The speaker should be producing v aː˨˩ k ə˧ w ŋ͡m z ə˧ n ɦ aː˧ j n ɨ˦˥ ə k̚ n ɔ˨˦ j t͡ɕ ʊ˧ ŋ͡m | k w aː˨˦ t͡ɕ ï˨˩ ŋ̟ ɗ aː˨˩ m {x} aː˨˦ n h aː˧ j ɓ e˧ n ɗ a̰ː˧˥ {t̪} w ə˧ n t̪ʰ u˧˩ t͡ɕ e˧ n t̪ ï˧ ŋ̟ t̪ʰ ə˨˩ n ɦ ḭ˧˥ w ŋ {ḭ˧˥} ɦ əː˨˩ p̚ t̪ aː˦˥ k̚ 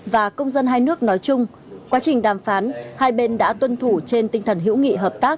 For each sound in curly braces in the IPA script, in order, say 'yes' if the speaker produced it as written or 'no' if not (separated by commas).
no, yes, no